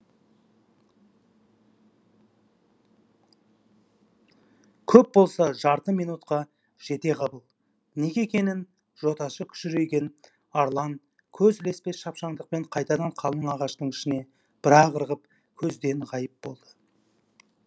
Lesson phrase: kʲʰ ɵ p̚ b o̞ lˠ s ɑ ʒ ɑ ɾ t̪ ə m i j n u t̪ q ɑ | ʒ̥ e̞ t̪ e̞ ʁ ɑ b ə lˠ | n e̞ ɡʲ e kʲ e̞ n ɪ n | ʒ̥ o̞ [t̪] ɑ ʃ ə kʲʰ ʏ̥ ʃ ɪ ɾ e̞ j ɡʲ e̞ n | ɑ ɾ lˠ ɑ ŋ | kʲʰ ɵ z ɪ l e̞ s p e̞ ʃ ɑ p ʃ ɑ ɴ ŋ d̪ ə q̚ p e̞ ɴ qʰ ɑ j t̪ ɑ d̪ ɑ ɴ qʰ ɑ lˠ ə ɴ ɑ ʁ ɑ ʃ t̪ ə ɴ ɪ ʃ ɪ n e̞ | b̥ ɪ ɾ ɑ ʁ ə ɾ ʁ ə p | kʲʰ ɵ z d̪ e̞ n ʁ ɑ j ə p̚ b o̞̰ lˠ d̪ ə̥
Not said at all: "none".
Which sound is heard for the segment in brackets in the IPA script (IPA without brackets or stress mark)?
t̪